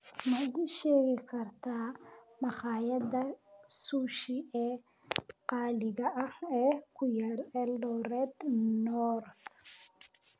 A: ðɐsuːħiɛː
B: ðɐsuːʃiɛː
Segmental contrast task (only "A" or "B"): B